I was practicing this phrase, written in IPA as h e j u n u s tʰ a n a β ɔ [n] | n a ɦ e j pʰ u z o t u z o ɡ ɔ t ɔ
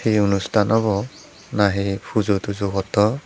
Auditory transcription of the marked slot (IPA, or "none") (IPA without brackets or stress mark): none